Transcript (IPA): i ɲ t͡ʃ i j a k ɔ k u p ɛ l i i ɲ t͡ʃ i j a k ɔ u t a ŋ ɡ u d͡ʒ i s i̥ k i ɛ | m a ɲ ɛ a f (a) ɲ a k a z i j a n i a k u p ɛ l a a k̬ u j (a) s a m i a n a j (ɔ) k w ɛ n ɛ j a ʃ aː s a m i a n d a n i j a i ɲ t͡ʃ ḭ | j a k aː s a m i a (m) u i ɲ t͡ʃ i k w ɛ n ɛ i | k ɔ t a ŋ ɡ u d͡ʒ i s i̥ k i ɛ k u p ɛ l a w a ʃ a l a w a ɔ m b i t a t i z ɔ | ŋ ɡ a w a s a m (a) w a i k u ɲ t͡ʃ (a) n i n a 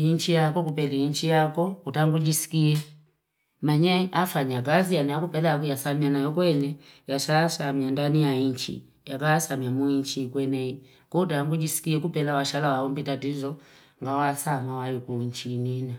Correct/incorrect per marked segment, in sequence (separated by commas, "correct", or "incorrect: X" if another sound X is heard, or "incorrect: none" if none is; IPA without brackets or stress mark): correct, correct, correct, correct, correct, incorrect: i